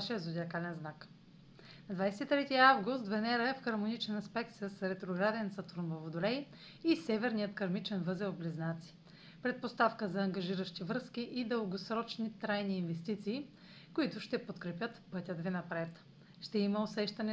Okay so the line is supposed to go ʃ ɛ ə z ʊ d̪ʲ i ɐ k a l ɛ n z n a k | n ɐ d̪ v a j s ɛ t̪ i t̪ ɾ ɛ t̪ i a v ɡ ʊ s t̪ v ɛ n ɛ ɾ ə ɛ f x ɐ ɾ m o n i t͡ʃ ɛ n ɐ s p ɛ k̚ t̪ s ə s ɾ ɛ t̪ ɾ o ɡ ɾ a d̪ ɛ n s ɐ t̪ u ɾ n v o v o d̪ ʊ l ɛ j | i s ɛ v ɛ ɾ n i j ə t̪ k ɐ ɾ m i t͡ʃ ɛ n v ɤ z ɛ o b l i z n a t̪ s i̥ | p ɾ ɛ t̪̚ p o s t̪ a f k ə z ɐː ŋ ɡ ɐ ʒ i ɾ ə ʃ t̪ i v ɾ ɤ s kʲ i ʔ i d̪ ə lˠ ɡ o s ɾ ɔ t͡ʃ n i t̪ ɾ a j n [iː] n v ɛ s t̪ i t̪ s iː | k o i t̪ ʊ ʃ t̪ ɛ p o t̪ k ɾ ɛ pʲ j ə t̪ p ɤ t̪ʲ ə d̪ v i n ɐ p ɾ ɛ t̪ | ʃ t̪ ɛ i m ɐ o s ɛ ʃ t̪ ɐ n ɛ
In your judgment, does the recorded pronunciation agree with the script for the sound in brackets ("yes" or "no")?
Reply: yes